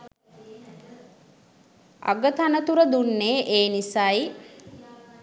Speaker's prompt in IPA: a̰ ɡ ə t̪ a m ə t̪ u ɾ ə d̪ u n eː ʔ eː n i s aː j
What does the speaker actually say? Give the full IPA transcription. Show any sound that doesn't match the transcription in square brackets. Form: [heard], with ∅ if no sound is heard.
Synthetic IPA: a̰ ɡ ə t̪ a [n] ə t̪ u ɾ ə d̪ u [nː] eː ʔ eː n i s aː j

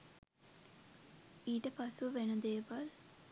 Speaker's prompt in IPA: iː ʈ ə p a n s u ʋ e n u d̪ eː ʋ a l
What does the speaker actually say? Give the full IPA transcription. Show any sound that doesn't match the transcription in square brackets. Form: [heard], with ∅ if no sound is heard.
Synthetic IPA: iː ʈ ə p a [∅] s u ʋ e n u d̪ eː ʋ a l

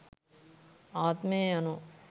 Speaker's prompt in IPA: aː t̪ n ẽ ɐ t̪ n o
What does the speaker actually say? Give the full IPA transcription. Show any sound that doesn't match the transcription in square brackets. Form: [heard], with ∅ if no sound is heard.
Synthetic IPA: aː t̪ [m] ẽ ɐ [∅] n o

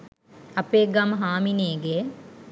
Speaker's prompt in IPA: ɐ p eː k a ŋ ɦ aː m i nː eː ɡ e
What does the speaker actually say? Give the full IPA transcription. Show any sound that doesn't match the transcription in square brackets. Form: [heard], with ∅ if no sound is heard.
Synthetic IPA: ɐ p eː [ɡ] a [m] ɦ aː m i [n] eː ɡ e

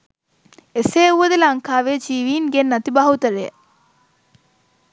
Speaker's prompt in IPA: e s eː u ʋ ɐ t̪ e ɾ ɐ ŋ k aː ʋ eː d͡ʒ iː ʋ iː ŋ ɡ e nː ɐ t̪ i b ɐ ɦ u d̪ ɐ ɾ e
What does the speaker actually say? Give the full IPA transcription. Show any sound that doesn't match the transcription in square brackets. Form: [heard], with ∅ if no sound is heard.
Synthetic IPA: e s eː u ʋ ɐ [d̪] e [l] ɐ ŋ k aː ʋ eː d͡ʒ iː ʋ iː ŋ ɡ e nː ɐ t̪ i b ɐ ɦ u [t̪] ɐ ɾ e

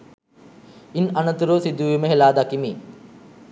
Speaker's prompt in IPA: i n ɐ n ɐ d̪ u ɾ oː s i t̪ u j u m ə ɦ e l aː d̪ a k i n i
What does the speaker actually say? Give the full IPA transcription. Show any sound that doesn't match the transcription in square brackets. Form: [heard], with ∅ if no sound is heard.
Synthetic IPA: i n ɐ n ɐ [t̪] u ɾ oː s i [d̪] u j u m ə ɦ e l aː d̪ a k i [m] i

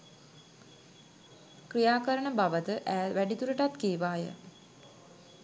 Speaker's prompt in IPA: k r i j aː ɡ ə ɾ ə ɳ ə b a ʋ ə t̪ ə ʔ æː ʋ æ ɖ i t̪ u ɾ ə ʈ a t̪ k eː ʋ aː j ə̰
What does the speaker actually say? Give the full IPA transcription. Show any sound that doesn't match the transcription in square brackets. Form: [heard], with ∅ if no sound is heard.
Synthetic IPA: k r i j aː [k] ə ɾ ə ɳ ə b a ʋ ə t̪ ə ʔ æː ʋ æ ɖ i t̪ u ɾ ə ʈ a t̪ k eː ʋ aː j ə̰

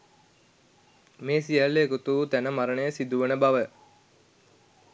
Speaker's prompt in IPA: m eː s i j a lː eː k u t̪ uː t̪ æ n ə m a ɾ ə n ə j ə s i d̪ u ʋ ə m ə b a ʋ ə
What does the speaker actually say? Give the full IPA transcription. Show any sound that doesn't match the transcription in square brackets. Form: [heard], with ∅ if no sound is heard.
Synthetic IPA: m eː s i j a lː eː k u t̪ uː t̪ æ n ə m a ɾ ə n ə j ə s i d̪ u ʋ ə [n] ə b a ʋ ə

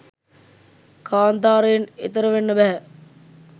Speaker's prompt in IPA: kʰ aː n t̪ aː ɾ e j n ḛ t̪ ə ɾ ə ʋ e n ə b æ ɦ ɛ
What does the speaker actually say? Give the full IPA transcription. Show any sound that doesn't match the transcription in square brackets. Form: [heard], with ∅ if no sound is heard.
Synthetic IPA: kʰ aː n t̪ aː ɾ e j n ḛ t̪ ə ɾ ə ʋ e [nː] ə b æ ɦ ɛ

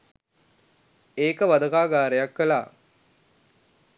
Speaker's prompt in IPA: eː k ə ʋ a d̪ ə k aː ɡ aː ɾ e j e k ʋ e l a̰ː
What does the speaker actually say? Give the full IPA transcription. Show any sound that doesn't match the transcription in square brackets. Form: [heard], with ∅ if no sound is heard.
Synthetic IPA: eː k ə ʋ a d̪ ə k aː ɡ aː ɾ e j [a] k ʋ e l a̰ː

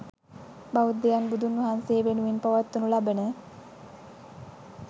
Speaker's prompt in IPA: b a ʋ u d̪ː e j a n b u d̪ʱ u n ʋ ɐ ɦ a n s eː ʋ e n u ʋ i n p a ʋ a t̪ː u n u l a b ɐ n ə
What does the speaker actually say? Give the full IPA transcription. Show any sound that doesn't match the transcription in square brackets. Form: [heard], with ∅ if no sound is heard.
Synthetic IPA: b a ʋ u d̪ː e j a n b u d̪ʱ u n ʋ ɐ ɦ a n s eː ʋ e n u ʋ i n p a ʋ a t̪ː u n u l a b [ə] n ə

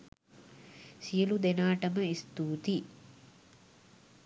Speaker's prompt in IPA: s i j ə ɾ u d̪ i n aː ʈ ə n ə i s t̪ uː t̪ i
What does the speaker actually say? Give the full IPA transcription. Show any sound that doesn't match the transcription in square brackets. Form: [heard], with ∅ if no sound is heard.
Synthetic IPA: s i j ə [l] u d̪ [e] n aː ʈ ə [m] ə i s t̪ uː t̪ i

